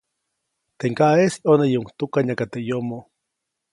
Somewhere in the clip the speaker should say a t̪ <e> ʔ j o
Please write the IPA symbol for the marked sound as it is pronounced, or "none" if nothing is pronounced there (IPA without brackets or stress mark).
e